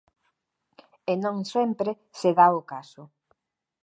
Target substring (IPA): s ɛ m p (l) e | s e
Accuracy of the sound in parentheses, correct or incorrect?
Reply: incorrect